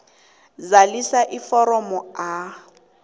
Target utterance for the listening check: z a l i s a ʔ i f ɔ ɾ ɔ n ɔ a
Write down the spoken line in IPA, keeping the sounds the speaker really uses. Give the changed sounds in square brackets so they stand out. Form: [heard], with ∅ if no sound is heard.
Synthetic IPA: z a l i s a ʔ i f ɔ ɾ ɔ [m] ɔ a